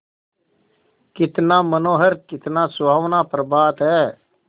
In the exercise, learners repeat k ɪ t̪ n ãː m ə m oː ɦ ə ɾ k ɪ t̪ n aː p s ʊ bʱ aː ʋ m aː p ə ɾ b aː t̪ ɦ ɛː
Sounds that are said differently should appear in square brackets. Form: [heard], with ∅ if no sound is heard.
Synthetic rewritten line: k ɪ t̪ n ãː m ə [n] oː ɦ ə ɾ k ɪ t̪ n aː [∅] s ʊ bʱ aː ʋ [n] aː p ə ɾ b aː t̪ ɦ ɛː

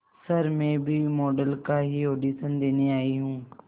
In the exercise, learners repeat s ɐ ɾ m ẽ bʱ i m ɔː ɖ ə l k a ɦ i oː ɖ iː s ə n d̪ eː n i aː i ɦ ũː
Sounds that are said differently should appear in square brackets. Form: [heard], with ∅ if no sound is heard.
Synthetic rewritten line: s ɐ ɾ m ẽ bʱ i m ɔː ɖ ə l k a ɦ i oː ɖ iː s ə n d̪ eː n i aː i ɦ ũː

